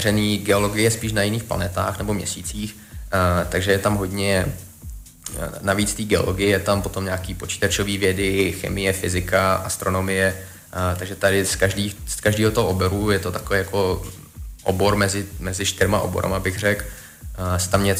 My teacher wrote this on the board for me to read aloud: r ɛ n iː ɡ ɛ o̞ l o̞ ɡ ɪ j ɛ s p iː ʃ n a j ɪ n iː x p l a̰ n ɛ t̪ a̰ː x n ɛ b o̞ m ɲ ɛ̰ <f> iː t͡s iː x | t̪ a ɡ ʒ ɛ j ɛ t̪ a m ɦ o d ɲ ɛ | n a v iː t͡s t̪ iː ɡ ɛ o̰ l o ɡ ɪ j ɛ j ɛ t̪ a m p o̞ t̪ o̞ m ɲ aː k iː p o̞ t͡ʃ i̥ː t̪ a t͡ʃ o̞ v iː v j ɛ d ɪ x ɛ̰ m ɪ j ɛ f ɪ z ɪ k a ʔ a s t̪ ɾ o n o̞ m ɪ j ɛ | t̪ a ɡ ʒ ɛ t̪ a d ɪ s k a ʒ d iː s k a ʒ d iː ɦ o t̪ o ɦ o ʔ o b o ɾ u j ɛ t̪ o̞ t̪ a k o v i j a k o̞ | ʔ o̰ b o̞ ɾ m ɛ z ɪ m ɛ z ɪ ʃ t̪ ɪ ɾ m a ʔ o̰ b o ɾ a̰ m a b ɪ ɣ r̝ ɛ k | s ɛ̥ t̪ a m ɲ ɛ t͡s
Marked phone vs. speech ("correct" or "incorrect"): incorrect